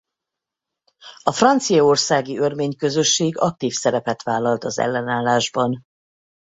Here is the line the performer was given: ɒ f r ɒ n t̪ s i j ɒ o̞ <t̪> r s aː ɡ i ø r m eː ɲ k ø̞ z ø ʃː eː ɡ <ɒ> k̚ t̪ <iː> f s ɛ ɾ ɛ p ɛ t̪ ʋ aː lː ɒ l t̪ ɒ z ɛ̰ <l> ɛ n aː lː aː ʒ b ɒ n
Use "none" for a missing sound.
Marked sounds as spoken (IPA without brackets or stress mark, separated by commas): none, ɒ, iː, lː